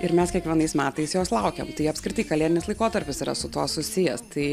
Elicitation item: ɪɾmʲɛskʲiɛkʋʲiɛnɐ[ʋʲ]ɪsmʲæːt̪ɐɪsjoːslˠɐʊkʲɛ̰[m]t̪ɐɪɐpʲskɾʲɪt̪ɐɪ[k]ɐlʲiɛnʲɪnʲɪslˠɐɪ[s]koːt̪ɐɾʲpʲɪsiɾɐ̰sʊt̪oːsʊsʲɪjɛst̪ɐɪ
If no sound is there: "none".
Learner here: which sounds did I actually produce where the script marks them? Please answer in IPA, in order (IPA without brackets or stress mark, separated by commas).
none, m, k, none